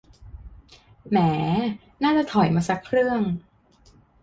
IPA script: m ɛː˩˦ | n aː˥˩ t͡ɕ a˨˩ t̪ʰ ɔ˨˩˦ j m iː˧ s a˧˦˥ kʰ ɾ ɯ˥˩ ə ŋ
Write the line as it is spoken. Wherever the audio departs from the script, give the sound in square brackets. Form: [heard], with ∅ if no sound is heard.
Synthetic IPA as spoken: m ɛː˩˦ | n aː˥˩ t͡ɕ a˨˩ t̪ʰ ɔ˨˩˦ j m [aː˧] s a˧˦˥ kʰ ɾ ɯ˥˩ ə ŋ